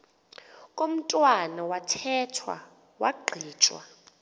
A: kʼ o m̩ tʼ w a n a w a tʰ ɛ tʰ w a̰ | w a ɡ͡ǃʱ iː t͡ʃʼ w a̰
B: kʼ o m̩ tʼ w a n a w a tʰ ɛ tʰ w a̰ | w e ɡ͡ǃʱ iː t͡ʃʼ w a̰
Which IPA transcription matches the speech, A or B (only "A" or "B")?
A